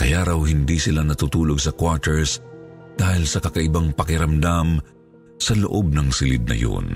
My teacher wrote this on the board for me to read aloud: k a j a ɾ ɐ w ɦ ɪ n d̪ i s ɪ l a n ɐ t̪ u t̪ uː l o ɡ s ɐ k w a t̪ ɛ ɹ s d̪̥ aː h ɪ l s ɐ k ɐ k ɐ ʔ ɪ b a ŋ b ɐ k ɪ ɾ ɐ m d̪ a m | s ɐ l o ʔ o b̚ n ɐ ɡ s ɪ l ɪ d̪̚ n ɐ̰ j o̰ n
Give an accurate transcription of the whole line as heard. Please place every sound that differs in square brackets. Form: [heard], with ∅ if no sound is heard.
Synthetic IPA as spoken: k [ɐ] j a ɾ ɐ w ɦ ɪ n d̪ i s ɪ l a n ɐ t̪ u t̪ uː l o ɡ s ɐ k w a t̪ ɛ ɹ s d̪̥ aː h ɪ l s ɐ k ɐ k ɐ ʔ ɪ b a ŋ [p] ɐ k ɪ ɾ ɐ m d̪ a m | s ɐ l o ʔ o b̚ n ɐ [ŋ] s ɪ l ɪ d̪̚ n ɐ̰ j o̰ n